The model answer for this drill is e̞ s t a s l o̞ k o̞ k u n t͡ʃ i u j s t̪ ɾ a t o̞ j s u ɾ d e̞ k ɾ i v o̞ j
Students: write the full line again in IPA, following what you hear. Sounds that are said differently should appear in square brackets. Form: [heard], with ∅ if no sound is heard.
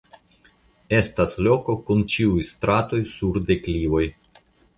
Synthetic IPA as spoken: e̞ s t a s l o̞ k o̞ k u n t͡ʃ i u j s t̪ ɾ a t o̞ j s u ɾ d e̞ k [l] i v o̞ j